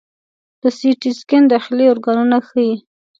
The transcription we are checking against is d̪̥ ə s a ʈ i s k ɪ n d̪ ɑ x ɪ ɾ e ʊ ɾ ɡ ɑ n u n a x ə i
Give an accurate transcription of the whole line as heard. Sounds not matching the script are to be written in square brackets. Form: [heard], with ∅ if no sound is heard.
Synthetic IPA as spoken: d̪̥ ə s [i] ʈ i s k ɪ n d̪ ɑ x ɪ [l] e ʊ ɾ ɡ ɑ n u n a x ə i

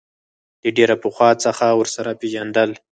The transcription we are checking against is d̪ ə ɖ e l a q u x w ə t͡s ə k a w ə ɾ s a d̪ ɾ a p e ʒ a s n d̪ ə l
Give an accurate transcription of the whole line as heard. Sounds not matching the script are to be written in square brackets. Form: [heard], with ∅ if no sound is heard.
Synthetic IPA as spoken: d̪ ə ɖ e [ɾ] a [p] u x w [ɑ] t͡s ə [x] a w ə ɾ s a [∅] ɾ a p e ʒ a [∅] n d̪ ə l

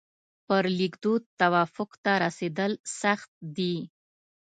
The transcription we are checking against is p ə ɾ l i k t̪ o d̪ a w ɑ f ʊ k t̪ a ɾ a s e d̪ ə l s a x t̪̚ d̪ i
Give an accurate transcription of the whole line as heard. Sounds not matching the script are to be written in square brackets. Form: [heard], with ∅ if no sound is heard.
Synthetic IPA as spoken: p ə ɾ l i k [d̪] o [t̪] a w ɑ f ʊ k t̪ a ɾ a s e d̪ ə l s a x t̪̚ d̪ i

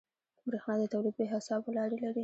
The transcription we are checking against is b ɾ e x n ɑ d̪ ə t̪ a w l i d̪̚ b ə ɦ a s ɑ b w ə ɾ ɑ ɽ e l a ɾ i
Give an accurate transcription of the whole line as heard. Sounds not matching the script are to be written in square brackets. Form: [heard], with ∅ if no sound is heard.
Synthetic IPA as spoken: b ɾ e x n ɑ d̪ ə t̪ a w l i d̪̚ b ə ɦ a s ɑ b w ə [l] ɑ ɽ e l a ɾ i

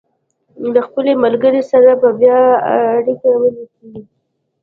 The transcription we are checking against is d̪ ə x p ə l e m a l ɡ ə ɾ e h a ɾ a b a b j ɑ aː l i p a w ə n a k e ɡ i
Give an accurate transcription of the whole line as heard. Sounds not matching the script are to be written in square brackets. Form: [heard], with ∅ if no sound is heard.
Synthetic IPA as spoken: d̪ ə x p ə l e m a l ɡ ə ɾ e [s] a ɾ a b a b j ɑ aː [ɽ] i [k] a w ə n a k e ɡ i

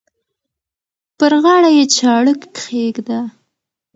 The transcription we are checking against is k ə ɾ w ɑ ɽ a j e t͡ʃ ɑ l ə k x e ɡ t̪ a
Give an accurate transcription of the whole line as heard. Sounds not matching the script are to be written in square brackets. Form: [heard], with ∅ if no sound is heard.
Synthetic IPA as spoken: [p] ə ɾ [ɣ] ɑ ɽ a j e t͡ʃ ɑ [ɽ] ə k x e ɡ [d̪] a

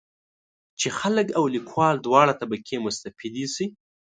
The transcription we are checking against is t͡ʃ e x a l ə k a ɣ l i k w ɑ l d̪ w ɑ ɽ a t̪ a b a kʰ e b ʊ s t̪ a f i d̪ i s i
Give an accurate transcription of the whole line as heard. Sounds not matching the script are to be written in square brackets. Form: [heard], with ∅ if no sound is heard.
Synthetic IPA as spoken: t͡ʃ e x a l ə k a [w] l i k w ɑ l d̪ w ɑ ɽ a t̪ a b a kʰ e [m] ʊ s t̪ a f i d̪ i s i

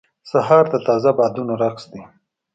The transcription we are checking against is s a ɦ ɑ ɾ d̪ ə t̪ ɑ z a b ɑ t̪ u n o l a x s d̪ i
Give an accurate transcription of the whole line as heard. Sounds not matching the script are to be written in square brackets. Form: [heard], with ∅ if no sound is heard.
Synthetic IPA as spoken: s a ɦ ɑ ɾ d̪ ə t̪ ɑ z a b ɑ [d̪] u n o [ɾ] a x s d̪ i

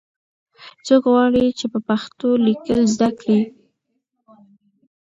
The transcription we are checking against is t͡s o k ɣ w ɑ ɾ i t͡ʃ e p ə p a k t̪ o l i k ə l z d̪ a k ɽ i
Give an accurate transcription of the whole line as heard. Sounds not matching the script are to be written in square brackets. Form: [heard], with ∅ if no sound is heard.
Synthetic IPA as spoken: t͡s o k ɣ w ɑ [ɽ] i t͡ʃ e p ə p a [x] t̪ o l i k ə l z d̪ a k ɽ i

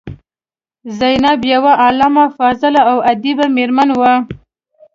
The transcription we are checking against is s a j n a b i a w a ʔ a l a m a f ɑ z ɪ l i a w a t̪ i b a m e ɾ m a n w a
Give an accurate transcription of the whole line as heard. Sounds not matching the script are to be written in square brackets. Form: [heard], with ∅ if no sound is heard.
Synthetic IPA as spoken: [z] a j n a b [j] a w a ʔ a l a m a f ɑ z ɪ l [a] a w a [d̪] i b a m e ɾ m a n w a

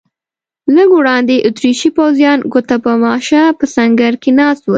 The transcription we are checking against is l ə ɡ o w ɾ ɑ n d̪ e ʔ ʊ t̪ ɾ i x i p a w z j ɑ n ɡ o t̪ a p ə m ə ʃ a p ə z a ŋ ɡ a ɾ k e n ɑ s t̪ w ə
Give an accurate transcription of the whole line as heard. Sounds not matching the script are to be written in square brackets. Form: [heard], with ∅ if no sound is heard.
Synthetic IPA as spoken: l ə ɡ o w [ɽ] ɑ n d̪ e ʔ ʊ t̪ ɾ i [ʃ] i p a w z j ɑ n ɡ o t̪ a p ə m [ɑ] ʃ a p ə [s] a ŋ ɡ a ɾ k e n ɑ s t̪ w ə

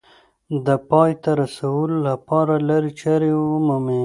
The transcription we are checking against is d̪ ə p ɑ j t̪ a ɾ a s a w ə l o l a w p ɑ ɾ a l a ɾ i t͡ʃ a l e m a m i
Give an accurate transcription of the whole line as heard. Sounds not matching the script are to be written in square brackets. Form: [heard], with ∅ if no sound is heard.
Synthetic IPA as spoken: d̪ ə p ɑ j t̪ a ɾ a s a w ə l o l a [∅] p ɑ ɾ a l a ɾ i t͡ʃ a [ɾ] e m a m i

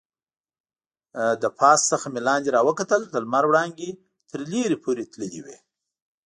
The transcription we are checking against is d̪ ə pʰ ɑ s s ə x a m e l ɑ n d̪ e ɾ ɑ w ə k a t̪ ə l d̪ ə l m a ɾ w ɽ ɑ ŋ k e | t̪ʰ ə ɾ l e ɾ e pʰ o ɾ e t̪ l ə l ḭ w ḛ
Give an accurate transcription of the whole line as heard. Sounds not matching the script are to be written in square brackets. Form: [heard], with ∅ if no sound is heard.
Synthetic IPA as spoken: d̪ ə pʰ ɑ s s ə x a m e l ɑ n d̪ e ɾ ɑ w ə k a t̪ ə l d̪ ə l m a ɾ w ɽ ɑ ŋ [ɡ] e | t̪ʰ ə ɾ l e ɾ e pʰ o ɾ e t̪ l ə l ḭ w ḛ

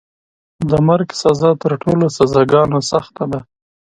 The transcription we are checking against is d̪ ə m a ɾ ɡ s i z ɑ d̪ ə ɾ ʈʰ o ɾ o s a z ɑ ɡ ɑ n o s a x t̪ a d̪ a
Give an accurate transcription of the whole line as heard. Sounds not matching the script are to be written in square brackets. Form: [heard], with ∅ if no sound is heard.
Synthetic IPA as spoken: d̪ ə m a ɾ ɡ s [a] z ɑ [t̪] ə ɾ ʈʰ o [l] o s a z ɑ ɡ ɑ n o s a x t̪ a d̪ a

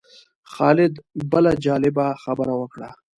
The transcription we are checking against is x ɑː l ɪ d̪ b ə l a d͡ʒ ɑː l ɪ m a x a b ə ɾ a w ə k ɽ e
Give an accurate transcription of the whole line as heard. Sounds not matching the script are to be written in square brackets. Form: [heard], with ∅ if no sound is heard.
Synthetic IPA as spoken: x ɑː l ɪ d̪ b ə l a d͡ʒ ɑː l ɪ [b] a x a b ə ɾ a w ə k ɽ [a]

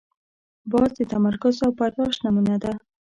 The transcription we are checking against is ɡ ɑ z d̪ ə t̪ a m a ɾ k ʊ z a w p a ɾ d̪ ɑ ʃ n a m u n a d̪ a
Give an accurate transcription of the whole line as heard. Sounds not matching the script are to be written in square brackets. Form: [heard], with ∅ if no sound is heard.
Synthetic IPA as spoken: [b] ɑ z d̪ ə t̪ a m a ɾ k ʊ z a w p a ɾ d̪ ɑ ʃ n a m u n a d̪ a

